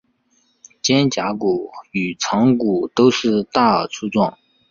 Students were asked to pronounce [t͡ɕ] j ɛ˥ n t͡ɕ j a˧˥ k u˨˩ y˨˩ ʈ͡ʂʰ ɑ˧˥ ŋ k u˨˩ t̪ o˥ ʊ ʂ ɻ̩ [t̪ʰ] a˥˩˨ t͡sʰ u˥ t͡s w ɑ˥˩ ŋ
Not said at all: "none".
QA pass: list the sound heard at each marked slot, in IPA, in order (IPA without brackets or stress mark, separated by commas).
t͡ɕ, t̪